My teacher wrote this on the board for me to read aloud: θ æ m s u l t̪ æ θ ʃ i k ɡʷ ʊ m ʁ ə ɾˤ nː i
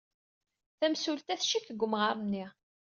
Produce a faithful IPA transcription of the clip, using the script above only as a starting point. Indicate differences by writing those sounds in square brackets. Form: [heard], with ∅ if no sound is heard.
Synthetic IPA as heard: θ æ m s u l t̪ æ θ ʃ i k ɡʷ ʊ m ʁ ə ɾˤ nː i